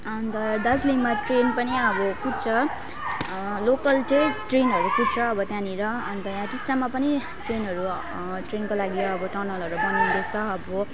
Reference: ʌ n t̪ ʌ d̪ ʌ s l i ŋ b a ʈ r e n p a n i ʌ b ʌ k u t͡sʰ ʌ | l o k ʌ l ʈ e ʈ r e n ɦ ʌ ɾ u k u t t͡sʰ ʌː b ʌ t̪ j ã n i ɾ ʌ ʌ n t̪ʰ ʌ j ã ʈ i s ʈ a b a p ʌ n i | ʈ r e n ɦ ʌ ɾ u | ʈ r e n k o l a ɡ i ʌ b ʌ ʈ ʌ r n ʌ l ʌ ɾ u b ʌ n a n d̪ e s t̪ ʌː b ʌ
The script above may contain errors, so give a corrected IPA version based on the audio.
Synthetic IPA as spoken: ʌ n t̪ ʌ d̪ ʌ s l i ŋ m a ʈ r e n p ʌ n i ʌ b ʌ k u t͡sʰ ʌ | l o k ʌ l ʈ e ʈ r e n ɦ ʌ ɾ u k u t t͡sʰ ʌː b ʌ t̪ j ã n i ɾ ʌ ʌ n t̪ ʌ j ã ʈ i s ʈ a m a p ʌ n i | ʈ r e n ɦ ʌ ɾ u | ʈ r e n k o l a ɡ i ʌ b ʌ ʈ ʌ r n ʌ l ʌ ɾ u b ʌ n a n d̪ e s t̪ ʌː b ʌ